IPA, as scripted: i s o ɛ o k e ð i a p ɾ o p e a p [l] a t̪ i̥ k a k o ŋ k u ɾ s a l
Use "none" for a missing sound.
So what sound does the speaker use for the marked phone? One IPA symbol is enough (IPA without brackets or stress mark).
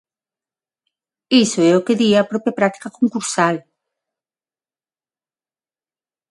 ɾ